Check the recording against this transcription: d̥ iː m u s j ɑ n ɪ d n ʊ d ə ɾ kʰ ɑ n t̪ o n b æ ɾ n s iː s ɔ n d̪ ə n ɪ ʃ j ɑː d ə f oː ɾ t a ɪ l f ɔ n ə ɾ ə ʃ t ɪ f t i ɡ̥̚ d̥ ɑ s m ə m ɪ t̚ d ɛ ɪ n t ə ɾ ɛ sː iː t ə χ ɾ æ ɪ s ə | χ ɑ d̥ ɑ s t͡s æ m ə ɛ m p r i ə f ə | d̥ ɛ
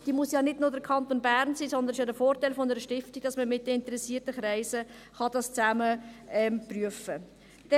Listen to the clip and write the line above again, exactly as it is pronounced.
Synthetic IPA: d̥ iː m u s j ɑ n ɪ d n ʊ d ə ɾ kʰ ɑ n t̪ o n b æ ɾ n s iː s ɔ n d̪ ə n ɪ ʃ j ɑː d ə f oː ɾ t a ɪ l f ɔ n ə ɾ ə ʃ t ɪ f t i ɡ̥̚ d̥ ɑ s m ə m ɪ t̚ d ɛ ɪ n t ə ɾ ɛ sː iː t ə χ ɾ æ ɪ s ə | χ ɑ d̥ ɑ s t͡s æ m ə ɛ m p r y ə f ə | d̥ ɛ